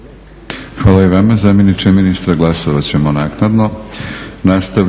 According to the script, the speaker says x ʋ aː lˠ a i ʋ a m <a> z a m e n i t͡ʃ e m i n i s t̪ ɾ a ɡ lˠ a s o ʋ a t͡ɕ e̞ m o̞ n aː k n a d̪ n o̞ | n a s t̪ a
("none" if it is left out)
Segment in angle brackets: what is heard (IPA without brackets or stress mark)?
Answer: a